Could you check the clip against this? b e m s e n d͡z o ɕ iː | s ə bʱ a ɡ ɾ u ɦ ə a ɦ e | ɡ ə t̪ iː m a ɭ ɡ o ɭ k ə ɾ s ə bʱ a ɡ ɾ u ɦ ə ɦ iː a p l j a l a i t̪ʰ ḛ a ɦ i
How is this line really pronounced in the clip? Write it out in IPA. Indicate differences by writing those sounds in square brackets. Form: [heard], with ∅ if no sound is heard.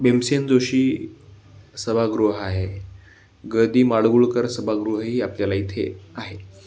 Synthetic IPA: b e m s e n d͡z o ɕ iː | s ə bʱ a ɡ ɾ u ɦ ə a ɦ e | ɡ ə [d̪] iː m a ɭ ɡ [u] ɭ k ə ɾ s ə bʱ a ɡ ɾ u ɦ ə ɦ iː a p l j a l a i t̪ʰ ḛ a ɦ [e]

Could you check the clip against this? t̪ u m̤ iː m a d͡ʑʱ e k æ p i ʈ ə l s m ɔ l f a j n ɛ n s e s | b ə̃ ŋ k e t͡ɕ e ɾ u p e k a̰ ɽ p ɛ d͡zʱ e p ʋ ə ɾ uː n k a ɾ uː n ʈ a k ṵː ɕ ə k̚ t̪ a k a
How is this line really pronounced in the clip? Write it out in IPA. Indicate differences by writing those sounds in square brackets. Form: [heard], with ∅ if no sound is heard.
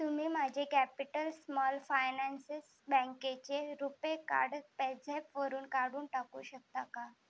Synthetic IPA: t̪ u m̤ iː m a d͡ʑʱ e k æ p i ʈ ə l s m ɔ l f a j n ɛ n s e s | b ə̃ ŋ k e t͡ɕ e ɾ u p e k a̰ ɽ p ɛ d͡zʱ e p ʋ ə ɾ uː n k a [ɽ] uː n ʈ a k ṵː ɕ ə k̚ t̪ a k a

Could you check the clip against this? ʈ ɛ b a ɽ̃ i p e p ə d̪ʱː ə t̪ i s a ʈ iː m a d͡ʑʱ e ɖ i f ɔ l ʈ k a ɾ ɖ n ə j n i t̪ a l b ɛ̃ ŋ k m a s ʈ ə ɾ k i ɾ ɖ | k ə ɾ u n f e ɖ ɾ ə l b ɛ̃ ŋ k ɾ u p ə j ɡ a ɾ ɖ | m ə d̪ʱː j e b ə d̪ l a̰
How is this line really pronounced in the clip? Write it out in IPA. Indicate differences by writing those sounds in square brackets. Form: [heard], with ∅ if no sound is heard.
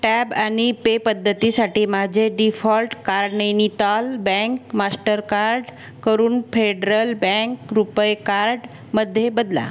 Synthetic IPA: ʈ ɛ b a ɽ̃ i p e p ə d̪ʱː ə t̪ i s a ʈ iː m a d͡ʑʱ e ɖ i f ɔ l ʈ k a ɾ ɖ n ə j n i t̪ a l b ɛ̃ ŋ k m a s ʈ ə ɾ k [a] ɾ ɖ | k ə ɾ [uː] n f e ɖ ɾ ə l b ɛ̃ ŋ k ɾ u p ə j [k] a ɾ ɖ | m ə d̪ʱː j e b ə d̪ l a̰

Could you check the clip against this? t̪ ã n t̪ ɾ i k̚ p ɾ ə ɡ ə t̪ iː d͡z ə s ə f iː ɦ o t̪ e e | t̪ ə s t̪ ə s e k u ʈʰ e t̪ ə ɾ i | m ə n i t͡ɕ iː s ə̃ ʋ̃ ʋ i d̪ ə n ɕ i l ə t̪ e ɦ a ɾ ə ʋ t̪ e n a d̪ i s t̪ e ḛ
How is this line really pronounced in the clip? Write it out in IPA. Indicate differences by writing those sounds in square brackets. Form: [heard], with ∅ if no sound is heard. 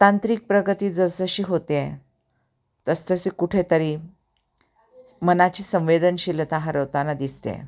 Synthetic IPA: t̪ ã n t̪ ɾ i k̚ p ɾ ə ɡ ə t̪ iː d͡z ə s ə [ɕ] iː ɦ o t̪ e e | t̪ ə s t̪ ə s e k u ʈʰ e t̪ ə ɾ i | m ə n [a] t͡ɕ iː s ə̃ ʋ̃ ʋ [e] d̪ ə n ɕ i l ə t̪ [a] ɦ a ɾ ə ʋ t̪ [a] n a d̪ i s t̪ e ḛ

